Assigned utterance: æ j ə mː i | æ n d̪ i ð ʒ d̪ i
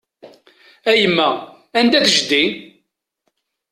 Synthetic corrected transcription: æ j ə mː æ | æ n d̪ æ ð ʒ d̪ i